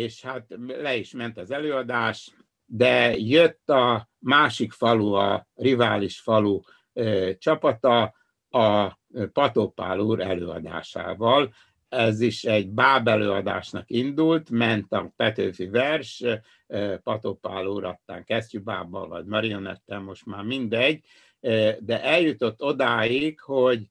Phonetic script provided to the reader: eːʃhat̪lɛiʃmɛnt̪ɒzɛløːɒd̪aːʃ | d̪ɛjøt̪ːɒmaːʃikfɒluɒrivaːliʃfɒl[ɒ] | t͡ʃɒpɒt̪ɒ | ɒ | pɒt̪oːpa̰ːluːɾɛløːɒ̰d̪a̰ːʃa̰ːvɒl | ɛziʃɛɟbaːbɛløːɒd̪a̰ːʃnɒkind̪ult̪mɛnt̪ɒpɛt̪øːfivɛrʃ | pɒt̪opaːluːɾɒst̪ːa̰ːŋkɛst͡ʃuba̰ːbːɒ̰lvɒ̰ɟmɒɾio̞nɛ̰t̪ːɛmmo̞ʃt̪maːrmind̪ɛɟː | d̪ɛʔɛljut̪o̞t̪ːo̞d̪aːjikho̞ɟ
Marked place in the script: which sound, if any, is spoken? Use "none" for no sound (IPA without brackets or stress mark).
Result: u